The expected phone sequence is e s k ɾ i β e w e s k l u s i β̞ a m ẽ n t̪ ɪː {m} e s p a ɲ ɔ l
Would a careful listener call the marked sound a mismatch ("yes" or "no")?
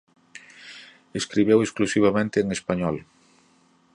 yes